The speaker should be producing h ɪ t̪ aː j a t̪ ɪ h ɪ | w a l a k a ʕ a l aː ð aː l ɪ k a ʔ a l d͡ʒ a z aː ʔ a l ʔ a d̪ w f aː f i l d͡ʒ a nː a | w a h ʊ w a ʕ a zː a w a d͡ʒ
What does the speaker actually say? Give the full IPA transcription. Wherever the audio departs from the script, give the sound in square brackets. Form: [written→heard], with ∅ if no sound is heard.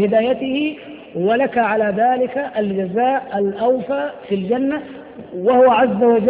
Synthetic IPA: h ɪ [t̪→d̪] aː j a t̪ ɪ h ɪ | w a l a k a ʕ a l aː ð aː l ɪ k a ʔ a l d͡ʒ a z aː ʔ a l ʔ a [d̪→∅] w f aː f i l d͡ʒ a nː a | w a h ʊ w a ʕ a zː a w a d͡ʒ